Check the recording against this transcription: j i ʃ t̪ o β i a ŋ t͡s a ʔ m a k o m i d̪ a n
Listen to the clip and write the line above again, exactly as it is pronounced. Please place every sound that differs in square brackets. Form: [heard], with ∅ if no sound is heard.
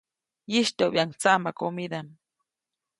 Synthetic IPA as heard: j i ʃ t̪ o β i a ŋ t͡s a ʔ m a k o m i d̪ a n